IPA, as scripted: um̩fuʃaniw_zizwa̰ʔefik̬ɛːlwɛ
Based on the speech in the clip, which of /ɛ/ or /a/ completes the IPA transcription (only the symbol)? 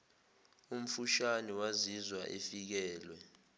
a